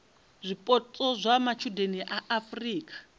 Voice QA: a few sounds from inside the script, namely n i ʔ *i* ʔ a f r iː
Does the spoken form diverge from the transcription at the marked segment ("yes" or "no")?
yes